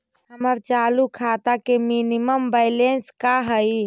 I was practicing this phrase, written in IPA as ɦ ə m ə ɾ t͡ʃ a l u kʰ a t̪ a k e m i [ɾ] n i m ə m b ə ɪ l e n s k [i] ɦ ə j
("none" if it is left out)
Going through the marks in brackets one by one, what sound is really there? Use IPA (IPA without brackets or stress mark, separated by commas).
none, a